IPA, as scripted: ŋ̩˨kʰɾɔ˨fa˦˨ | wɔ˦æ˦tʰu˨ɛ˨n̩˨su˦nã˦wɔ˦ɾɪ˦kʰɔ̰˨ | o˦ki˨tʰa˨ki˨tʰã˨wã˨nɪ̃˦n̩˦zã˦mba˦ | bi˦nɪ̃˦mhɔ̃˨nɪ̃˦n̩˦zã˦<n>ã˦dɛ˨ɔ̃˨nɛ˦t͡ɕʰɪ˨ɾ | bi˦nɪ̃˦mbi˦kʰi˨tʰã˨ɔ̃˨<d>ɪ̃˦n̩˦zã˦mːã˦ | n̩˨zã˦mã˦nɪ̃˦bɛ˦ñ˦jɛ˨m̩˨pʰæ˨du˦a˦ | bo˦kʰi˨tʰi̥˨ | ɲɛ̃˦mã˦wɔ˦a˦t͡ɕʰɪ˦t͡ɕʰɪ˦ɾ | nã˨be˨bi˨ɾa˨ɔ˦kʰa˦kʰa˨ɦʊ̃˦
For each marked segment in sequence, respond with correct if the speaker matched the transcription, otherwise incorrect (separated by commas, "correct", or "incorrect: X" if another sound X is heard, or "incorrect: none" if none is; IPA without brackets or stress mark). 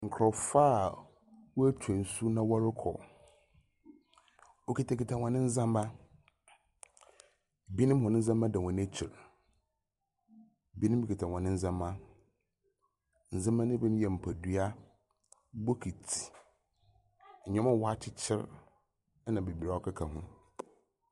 incorrect: m, incorrect: n